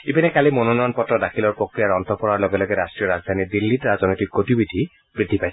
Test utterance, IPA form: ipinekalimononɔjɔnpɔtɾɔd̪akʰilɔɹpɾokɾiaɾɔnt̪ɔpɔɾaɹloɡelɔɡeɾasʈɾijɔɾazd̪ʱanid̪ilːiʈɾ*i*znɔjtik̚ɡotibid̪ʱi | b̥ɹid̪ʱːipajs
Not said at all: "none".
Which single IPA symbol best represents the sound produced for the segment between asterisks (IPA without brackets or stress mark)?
a